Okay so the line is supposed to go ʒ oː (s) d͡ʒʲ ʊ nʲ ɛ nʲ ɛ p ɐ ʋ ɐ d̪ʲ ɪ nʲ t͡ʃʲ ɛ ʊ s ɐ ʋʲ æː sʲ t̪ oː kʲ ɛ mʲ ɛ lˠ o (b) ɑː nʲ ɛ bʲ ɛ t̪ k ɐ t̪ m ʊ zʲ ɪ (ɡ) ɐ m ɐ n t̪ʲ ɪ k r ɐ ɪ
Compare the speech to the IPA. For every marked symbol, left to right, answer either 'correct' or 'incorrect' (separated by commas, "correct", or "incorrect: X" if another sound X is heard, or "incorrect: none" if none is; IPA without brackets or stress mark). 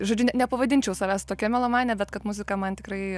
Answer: incorrect: none, incorrect: m, incorrect: k